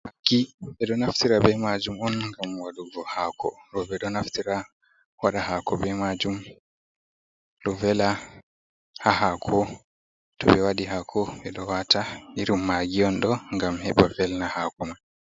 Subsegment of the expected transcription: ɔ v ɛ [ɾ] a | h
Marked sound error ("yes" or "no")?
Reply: yes